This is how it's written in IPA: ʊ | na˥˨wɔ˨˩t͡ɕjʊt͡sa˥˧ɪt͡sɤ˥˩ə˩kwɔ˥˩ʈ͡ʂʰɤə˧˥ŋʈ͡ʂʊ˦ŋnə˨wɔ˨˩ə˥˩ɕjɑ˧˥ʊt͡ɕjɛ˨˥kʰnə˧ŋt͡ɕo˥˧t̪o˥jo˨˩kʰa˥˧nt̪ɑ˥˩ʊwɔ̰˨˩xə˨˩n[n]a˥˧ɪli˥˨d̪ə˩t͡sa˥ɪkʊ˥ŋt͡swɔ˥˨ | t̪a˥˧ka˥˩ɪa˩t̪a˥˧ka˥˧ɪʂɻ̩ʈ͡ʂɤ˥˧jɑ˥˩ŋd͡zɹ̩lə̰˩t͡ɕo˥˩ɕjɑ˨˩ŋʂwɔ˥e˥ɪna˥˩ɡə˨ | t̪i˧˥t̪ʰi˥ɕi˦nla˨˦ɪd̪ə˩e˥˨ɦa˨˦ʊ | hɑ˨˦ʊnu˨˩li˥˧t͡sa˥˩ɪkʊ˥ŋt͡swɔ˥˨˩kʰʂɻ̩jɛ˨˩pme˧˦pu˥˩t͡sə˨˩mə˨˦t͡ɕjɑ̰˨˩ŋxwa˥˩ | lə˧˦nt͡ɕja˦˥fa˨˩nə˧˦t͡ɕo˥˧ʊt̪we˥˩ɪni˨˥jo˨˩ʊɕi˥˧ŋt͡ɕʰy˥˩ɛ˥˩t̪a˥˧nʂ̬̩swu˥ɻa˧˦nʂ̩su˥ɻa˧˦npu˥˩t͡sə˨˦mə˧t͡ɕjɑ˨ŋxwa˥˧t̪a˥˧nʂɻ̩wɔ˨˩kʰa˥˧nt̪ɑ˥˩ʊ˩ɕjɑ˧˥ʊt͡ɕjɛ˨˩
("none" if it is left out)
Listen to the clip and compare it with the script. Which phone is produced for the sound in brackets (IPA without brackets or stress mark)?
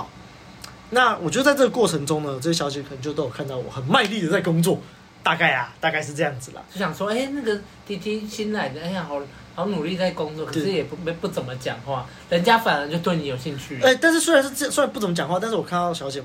m